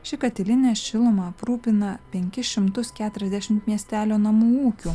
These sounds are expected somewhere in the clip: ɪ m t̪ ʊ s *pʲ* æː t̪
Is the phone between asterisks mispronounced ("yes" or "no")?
yes